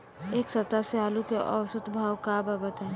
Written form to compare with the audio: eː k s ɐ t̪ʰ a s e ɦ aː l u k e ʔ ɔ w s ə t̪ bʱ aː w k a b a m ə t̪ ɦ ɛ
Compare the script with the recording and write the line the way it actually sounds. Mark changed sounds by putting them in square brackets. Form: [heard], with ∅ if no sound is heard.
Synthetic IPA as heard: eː k s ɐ [t̪] a s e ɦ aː l u k e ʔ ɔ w s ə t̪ bʱ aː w k a b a [b] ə t̪ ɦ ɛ